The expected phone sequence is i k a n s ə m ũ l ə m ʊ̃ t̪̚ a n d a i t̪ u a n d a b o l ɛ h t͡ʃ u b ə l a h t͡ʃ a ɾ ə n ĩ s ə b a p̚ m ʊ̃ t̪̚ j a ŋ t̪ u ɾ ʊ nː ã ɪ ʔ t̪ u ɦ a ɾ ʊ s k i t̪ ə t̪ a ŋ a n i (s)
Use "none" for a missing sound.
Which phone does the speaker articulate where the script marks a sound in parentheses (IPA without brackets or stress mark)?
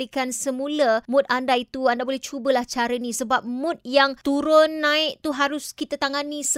s